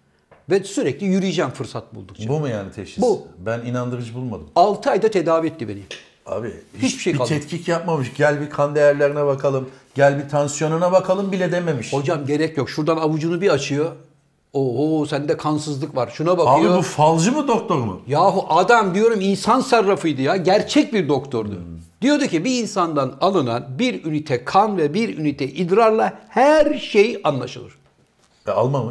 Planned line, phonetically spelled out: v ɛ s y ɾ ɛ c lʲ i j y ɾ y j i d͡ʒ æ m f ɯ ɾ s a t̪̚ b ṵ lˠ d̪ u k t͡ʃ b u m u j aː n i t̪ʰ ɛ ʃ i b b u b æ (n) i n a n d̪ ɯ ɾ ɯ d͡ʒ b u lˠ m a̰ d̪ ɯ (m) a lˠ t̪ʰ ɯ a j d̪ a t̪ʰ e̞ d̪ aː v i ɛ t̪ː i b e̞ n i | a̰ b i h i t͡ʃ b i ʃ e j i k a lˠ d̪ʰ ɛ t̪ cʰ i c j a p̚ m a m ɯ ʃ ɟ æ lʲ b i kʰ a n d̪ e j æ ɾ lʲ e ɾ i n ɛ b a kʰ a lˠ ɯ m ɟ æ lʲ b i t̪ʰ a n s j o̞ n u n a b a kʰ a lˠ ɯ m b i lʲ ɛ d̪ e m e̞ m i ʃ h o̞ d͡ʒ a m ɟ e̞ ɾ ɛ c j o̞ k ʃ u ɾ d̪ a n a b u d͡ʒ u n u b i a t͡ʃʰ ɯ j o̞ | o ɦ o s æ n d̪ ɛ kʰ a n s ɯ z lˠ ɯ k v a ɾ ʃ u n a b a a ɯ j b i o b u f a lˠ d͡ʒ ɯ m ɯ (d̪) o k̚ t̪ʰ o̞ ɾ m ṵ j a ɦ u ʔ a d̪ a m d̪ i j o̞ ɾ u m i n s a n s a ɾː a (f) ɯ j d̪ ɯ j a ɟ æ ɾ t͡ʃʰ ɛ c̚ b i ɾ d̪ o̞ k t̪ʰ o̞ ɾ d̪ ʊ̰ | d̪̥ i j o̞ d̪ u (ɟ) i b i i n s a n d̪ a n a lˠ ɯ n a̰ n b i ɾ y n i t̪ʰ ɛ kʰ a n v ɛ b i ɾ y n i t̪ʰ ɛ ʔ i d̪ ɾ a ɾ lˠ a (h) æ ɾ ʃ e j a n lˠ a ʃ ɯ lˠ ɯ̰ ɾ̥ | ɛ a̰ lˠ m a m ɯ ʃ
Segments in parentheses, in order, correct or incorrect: correct, correct, correct, correct, incorrect: c, correct

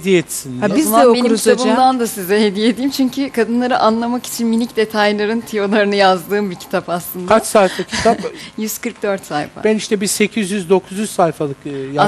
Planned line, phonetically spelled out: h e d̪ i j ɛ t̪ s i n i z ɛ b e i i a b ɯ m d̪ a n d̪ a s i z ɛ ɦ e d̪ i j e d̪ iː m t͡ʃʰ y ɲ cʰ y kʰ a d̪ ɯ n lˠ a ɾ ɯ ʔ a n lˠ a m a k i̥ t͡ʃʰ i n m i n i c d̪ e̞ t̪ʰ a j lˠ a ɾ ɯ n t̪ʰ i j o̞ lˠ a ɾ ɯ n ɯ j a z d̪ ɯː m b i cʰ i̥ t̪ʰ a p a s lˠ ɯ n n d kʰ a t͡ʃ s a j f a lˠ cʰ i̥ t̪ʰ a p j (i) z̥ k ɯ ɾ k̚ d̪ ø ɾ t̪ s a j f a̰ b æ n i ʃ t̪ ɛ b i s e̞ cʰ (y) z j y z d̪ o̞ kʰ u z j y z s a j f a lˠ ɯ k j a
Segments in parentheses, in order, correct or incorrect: incorrect: y, incorrect: i

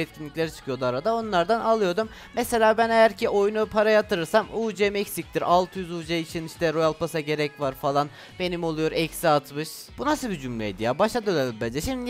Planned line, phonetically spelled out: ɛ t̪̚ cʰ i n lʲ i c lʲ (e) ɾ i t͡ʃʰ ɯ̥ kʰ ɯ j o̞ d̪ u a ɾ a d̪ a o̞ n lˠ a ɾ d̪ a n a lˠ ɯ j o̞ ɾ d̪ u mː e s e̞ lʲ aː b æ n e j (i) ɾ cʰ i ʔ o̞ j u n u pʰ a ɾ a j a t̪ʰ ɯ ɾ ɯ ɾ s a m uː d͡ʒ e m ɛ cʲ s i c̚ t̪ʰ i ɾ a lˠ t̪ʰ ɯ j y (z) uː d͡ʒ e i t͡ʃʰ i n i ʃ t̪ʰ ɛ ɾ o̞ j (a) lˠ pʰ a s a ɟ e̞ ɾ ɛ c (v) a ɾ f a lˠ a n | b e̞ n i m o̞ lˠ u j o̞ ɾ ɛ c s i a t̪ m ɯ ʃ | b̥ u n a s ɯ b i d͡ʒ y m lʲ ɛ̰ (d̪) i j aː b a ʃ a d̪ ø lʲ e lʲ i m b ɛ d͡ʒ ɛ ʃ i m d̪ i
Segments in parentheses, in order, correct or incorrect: correct, incorrect: æ, correct, correct, correct, correct

